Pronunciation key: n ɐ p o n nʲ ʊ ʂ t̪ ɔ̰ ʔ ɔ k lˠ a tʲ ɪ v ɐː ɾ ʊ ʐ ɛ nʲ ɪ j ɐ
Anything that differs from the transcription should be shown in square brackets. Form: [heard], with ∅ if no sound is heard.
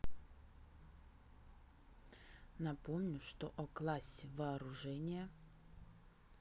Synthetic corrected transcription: n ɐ p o [m] nʲ ʊ ʂ t̪ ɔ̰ ʔ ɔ k lˠ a [sʲ] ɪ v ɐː ɾ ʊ ʐ ɛ nʲ ɪ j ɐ